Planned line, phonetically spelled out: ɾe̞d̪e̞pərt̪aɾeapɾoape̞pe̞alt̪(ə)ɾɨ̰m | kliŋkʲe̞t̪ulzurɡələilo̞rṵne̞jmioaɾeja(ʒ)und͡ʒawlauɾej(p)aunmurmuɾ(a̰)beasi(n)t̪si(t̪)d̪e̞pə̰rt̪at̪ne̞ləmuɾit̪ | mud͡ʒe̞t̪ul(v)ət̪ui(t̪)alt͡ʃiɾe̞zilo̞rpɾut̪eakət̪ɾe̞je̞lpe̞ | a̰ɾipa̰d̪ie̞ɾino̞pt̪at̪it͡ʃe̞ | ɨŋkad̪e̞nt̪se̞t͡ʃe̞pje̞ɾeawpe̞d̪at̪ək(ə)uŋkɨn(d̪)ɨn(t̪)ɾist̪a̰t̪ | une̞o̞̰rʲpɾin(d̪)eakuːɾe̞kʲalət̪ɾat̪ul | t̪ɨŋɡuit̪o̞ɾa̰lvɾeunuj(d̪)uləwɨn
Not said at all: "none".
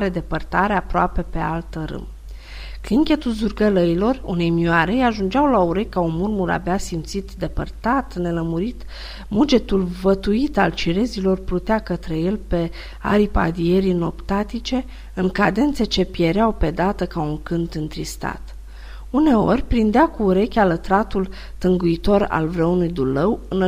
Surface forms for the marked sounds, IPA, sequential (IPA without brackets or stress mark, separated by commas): ə, ʒ, k, a̰, m, t̪, v, t̪, a, t̪, t̪, d̪, d̪